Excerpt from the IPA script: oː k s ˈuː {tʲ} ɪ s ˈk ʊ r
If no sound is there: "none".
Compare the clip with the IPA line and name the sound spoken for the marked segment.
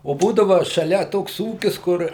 kʲ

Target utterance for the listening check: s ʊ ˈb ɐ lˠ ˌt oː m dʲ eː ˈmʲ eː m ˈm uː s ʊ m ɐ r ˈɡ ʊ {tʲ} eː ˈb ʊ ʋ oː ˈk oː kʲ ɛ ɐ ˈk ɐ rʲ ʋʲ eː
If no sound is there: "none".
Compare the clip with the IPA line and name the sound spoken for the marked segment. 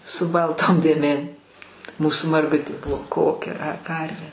tʲ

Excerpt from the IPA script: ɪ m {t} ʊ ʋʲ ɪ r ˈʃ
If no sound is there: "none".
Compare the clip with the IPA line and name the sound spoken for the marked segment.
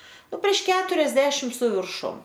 s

